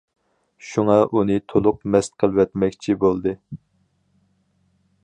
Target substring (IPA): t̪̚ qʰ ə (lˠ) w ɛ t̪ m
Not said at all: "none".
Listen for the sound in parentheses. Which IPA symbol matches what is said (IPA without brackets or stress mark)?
lˠ